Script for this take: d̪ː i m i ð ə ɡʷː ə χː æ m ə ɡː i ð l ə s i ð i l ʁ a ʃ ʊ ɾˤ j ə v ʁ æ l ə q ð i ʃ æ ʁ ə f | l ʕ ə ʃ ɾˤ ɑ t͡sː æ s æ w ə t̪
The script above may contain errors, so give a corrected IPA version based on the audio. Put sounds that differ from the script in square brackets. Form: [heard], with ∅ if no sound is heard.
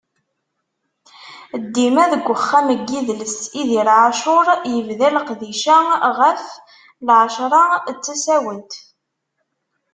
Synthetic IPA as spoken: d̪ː i m [æ] ð ə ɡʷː ə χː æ m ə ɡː i ð l ə s i ð i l [ʕ] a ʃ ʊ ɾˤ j ə v [ð] æ l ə q ð i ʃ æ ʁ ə f | l ʕ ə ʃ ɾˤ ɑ t͡sː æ s æ w ə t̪